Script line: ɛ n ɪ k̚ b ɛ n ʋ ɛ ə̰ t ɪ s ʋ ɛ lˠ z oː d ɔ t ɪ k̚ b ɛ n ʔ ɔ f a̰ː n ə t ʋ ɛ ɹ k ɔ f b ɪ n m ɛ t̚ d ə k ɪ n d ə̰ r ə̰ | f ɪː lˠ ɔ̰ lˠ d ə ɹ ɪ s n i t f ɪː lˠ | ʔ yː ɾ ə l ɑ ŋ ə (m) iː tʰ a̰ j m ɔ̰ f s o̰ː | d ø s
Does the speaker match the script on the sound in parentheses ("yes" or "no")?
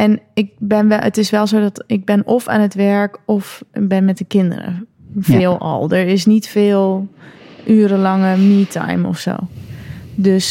yes